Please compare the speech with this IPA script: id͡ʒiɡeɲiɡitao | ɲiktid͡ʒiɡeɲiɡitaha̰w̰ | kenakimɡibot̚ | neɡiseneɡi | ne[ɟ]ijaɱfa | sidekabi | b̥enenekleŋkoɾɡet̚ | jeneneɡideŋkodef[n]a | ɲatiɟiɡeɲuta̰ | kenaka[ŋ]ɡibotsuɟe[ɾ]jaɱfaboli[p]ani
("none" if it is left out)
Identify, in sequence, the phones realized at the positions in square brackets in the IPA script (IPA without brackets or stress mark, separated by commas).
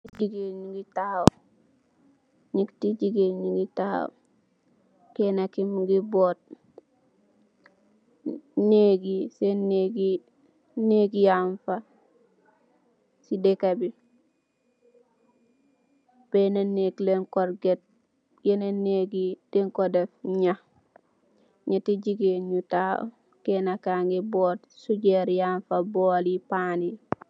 ɡ, ɲ, ŋ, ɾ, p